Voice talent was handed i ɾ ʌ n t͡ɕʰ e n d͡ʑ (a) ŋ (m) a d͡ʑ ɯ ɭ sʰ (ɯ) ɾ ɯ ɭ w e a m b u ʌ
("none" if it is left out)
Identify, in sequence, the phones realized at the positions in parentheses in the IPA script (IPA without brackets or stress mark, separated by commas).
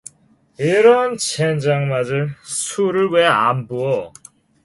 a, m, u